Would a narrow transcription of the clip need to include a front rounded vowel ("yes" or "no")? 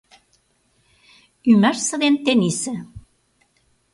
yes